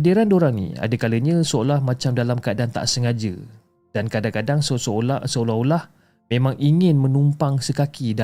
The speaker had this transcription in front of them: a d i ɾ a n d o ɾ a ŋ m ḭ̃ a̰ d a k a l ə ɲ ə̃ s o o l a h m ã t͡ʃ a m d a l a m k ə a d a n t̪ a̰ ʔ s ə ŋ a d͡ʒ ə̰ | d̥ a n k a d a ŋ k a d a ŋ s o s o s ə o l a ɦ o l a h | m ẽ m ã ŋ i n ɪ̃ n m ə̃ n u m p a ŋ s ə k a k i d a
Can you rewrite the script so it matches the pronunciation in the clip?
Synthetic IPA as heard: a d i ɾ a n d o ɾ a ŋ n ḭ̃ a̰ d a k a l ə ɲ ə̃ s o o l a h m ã t͡ʃ a m d a l a m k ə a d a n t̪ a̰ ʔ s ə ŋ a d͡ʒ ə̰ | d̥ a n k a d a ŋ k a d a ŋ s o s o s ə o l a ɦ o l a h | m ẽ m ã ŋ i ŋ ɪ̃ n m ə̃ n u m p a ŋ s ə k a k i d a